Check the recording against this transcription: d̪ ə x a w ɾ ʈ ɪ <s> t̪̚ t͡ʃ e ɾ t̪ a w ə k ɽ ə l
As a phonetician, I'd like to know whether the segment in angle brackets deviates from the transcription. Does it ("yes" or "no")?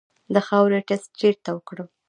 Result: no